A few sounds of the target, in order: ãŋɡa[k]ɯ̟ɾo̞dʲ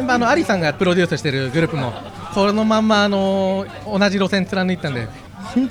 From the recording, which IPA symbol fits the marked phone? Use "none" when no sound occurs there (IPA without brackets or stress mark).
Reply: p